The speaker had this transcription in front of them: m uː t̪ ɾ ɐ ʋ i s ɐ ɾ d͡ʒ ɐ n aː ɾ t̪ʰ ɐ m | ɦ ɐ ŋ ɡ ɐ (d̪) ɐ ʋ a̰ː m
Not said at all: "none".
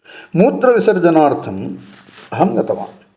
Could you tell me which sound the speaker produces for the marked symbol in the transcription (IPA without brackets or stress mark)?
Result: t̪